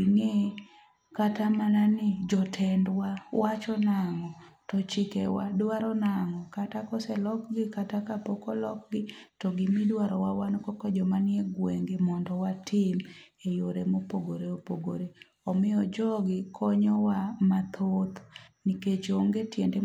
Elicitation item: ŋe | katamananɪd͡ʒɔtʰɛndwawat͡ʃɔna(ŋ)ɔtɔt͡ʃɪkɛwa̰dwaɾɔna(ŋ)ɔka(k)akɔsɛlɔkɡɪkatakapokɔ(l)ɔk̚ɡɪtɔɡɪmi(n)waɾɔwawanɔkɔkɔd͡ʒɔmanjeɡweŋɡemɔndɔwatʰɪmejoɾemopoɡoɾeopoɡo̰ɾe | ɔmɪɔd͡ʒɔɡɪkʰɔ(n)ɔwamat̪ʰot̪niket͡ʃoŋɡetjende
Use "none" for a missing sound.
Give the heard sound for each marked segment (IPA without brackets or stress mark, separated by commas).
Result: ŋ, ŋ, t, l, d, ɲ